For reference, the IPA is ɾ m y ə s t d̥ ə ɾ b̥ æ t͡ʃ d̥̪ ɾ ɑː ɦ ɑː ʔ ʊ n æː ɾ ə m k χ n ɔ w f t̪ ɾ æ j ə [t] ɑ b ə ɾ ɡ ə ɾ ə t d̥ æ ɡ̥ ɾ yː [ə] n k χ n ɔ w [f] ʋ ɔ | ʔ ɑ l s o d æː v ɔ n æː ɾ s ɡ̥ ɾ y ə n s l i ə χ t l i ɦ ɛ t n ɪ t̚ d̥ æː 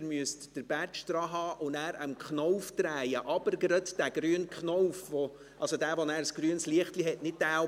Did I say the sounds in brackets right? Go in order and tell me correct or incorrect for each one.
incorrect: ʔ, correct, correct

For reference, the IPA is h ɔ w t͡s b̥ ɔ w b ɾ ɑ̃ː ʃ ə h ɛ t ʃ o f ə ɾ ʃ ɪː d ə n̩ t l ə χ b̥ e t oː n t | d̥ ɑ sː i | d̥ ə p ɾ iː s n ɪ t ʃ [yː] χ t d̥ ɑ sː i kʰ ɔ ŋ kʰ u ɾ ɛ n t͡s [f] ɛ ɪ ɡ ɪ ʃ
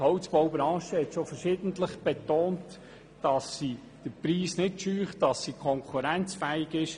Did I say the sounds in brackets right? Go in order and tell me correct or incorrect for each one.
correct, correct

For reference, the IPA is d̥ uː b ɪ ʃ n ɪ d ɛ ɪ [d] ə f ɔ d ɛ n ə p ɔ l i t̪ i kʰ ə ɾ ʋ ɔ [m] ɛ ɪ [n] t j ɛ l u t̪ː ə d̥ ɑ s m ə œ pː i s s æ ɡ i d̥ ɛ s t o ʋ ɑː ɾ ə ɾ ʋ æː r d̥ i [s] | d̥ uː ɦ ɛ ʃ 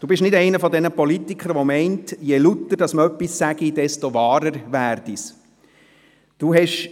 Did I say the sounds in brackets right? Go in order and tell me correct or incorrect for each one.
incorrect: n, correct, correct, correct

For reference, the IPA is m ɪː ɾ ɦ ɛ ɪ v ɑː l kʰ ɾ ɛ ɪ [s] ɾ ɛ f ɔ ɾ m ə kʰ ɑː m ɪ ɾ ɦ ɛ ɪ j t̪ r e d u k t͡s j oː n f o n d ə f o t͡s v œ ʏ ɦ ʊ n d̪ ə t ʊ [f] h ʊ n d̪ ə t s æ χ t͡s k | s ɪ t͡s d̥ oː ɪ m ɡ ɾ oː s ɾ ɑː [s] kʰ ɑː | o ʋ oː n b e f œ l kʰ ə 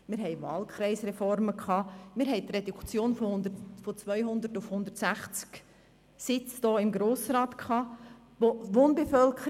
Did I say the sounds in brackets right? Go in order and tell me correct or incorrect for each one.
correct, correct, incorrect: t

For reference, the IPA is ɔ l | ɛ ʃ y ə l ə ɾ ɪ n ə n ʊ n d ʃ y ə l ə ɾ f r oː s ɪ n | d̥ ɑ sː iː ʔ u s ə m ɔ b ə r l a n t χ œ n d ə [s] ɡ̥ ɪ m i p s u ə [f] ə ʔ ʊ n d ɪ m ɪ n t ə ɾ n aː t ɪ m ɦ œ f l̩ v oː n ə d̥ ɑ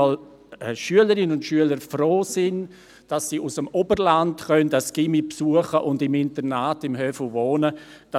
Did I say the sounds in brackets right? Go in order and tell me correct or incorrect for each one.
correct, incorrect: χ

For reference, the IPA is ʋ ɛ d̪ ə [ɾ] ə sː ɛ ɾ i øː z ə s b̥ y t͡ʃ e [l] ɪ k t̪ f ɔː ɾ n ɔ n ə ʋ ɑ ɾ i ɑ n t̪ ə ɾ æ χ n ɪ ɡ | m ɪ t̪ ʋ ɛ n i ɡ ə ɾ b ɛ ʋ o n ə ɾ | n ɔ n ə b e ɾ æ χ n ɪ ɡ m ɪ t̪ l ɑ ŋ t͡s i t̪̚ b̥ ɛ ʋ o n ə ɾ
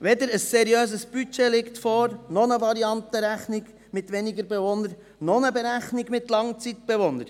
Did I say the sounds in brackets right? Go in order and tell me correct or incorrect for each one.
correct, correct

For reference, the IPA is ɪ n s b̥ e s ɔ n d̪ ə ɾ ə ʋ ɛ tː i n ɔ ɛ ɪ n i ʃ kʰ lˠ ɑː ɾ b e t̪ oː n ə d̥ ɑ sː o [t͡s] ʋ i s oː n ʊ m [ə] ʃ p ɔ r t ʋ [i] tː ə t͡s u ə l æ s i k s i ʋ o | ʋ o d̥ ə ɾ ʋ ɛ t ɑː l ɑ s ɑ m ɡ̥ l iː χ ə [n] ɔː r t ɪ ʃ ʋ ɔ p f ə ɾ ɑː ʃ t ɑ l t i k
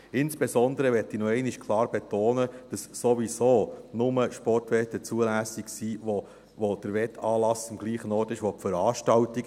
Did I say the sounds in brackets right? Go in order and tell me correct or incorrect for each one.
incorrect: none, correct, incorrect: ɛ, correct

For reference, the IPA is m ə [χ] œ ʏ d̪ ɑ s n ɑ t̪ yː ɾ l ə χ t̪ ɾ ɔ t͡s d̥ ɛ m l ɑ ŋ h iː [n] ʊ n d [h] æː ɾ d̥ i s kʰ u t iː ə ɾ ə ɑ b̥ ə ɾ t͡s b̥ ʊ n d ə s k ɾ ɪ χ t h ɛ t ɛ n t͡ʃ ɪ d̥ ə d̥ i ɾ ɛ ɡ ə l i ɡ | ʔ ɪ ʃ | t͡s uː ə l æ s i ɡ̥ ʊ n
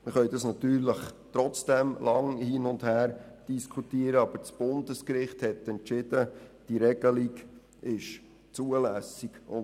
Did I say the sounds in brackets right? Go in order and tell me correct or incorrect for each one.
correct, correct, correct

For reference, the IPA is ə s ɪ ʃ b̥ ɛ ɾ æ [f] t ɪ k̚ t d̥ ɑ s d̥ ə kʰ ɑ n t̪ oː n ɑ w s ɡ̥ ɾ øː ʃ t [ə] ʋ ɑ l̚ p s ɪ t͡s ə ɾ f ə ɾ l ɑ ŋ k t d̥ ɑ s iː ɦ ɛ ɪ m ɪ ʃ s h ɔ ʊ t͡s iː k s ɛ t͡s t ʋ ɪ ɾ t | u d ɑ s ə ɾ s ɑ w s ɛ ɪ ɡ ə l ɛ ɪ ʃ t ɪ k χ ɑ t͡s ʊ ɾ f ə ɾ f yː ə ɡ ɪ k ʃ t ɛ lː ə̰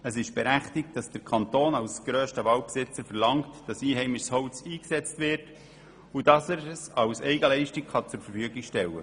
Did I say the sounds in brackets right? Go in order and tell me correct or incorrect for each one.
incorrect: χ, correct

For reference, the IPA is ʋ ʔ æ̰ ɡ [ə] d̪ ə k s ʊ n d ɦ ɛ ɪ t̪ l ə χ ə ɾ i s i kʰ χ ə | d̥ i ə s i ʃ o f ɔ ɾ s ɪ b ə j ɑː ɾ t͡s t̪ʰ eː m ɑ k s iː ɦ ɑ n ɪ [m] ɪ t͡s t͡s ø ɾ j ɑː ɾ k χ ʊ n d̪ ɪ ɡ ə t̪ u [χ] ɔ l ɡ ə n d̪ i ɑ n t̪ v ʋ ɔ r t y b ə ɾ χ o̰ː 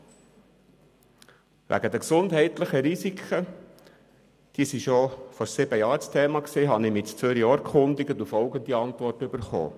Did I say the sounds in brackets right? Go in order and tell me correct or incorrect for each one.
correct, correct, incorrect: f

